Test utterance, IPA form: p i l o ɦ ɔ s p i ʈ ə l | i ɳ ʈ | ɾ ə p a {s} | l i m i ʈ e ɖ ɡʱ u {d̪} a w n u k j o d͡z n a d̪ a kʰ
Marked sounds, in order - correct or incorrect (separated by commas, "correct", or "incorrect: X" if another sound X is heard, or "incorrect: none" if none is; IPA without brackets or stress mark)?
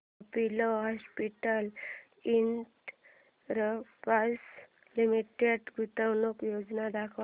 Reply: correct, incorrect: t̪